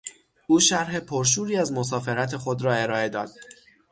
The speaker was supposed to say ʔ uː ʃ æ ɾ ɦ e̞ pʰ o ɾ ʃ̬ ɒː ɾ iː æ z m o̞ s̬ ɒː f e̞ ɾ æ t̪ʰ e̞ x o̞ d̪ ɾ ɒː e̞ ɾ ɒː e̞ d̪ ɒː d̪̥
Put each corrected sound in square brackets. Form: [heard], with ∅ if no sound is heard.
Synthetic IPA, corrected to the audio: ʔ uː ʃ æ ɾ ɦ e̞ pʰ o ɾ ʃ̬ [uː] ɾ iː æ z m o̞ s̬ ɒː f e̞ ɾ æ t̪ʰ e̞ x o̞ d̪ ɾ ɒː e̞ ɾ ɒː e̞ d̪ ɒː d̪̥